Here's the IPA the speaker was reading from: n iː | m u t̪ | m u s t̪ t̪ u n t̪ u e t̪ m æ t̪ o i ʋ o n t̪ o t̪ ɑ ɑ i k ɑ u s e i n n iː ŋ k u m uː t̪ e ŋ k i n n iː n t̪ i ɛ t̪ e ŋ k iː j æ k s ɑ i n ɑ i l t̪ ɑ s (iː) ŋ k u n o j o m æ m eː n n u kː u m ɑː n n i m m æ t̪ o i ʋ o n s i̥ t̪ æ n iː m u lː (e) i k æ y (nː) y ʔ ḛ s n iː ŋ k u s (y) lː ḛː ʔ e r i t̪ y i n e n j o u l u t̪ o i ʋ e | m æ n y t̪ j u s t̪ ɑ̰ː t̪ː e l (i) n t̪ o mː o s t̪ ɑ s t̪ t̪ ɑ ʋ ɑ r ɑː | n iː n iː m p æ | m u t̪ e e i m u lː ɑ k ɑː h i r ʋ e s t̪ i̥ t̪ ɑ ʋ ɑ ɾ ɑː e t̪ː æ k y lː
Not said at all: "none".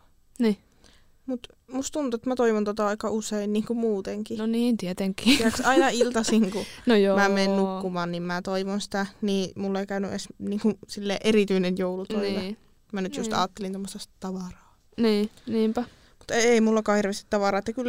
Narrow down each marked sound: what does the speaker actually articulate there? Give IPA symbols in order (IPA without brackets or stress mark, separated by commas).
i, e, n, i, i